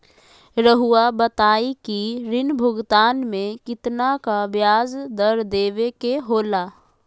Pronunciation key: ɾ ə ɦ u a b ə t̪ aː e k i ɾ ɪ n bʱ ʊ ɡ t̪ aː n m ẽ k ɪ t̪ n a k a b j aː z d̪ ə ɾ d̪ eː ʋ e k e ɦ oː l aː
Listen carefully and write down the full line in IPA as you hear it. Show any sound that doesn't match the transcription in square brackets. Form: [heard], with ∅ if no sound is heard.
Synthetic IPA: ɾ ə ɦ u a b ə t̪ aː [i] k i ɾ ɪ n bʱ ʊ ɡ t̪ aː n m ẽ k ɪ t̪ n a k a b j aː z d̪ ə ɾ d̪ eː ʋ e k e ɦ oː l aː